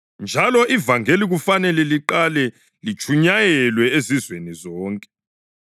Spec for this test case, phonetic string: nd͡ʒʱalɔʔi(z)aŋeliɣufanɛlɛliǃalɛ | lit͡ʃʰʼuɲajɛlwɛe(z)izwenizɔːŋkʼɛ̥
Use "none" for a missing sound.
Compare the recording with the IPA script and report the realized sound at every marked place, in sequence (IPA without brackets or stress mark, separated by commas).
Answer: v, z